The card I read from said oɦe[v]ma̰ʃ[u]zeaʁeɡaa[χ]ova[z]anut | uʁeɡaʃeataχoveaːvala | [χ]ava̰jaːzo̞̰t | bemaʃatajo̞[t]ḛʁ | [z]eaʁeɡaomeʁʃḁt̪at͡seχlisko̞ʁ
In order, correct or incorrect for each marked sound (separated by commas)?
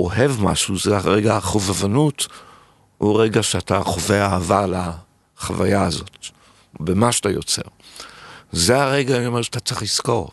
correct, correct, correct, incorrect, correct, incorrect, correct